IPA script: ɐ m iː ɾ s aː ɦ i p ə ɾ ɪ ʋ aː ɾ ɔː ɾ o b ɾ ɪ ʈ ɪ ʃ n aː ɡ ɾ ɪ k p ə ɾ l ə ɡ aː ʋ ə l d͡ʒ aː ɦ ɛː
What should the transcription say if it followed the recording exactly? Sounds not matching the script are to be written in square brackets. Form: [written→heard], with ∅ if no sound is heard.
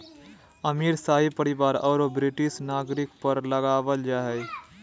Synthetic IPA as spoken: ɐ m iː ɾ s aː ɦ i p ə ɾ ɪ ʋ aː ɾ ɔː ɾ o b ɾ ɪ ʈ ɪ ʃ n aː ɡ ɾ ɪ k p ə ɾ l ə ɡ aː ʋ ə l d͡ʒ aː ɦ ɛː